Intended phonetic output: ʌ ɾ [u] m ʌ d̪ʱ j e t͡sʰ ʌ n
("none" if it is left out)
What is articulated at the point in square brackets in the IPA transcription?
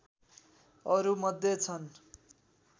u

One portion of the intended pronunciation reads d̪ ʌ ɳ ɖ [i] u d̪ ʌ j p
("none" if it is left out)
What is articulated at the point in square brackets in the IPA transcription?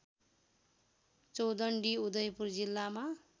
i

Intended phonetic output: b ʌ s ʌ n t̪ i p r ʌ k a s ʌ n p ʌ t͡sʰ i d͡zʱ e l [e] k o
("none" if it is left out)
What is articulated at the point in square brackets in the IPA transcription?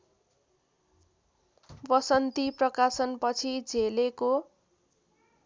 e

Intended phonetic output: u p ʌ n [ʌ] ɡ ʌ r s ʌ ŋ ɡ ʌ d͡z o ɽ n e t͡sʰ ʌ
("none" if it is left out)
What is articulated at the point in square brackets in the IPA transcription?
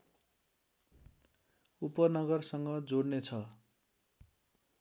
ʌ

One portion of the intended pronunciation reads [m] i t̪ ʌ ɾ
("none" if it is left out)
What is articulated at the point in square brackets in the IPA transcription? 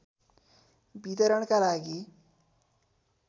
b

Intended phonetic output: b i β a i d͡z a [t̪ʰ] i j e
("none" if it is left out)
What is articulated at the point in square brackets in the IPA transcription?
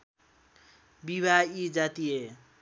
t̪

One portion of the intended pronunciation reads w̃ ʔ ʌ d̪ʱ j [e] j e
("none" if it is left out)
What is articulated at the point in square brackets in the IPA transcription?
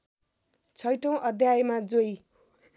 a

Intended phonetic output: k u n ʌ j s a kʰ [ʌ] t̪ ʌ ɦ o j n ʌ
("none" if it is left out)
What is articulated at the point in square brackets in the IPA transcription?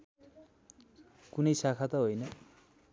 a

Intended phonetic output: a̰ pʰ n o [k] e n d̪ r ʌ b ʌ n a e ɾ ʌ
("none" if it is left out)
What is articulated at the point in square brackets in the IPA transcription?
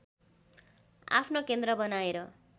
k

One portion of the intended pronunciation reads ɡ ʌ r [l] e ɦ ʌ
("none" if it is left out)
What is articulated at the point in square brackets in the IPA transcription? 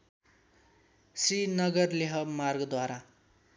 l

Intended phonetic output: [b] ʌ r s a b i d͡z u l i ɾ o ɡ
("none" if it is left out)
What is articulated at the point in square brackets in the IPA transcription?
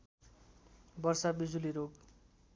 b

